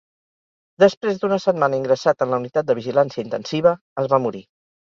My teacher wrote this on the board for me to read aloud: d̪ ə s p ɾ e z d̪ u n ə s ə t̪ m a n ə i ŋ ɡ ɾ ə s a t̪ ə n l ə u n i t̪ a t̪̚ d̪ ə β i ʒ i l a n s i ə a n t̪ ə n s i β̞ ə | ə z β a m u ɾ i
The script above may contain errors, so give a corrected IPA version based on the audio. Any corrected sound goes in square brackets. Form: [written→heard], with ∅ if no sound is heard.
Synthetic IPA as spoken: d̪ ə s p ɾ e z d̪ u n ə s ə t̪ m a n ə i ŋ ɡ ɾ ə s a t̪ ə n l ə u n i t̪ a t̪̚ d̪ ə β i ʒ i l a n s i ə [a→i] n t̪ ə n s i β̞ ə | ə z β a m u ɾ i